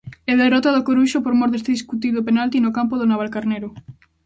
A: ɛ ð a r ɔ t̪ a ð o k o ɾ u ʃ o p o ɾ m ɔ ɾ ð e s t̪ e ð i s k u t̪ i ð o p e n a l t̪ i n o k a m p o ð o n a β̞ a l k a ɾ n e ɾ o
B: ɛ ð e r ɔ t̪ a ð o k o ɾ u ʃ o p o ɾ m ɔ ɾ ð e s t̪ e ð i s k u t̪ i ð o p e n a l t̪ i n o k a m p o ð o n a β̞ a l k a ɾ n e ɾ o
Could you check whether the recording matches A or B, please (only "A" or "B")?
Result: B